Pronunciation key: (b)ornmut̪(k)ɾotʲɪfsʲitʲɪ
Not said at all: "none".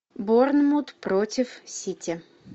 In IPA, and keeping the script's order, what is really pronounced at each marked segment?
b, p

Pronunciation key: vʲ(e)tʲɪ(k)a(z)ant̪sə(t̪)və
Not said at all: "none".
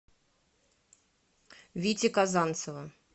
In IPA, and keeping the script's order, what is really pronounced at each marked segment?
i, k, z, none

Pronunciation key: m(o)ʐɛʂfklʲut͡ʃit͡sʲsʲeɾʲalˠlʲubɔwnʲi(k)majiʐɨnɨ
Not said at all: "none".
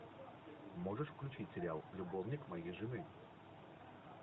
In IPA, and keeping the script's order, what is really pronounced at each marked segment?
ɔ, k

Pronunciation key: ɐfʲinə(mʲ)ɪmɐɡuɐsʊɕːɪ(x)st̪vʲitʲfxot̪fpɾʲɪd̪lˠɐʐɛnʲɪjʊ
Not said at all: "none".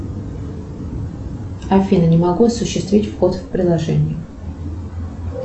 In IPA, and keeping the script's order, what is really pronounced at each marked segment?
nʲ, none

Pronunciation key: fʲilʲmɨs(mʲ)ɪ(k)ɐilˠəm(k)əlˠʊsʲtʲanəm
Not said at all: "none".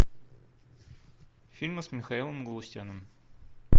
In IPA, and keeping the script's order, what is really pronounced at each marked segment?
mʲ, x, ɡ

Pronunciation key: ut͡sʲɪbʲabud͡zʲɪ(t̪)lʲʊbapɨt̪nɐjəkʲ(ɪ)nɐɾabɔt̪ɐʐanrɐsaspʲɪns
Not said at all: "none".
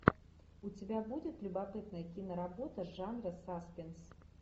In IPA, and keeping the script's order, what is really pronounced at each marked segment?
t̪, i

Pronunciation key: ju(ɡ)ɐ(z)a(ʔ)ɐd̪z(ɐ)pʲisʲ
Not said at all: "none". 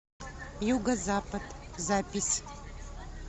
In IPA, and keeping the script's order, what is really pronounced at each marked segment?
ɡ, z, p, a

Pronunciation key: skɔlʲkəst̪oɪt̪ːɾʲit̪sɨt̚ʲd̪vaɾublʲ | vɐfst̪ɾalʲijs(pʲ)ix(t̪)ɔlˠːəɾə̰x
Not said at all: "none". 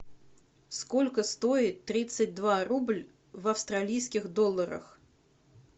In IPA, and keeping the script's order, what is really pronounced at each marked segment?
kʲ, d̪

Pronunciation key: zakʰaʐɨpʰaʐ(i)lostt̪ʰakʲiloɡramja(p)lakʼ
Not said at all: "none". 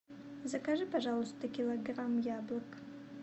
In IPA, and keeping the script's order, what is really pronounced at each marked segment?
a, b

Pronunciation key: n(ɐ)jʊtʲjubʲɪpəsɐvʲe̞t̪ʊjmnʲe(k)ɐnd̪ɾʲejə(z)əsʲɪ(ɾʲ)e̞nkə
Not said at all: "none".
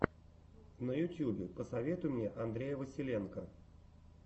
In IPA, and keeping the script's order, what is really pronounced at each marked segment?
ə, ʔ, v, lʲ

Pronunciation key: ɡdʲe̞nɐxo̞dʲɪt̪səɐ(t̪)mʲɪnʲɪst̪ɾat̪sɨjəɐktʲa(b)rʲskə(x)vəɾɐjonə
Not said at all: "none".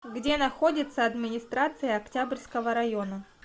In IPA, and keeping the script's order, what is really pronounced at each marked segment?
d̪, b, none

